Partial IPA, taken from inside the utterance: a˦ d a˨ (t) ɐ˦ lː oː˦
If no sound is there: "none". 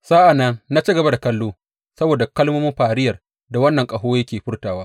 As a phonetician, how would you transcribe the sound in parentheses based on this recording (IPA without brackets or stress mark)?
k